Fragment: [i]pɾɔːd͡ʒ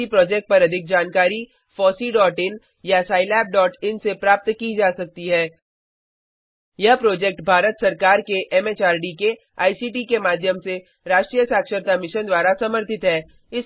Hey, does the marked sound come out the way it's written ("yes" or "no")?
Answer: yes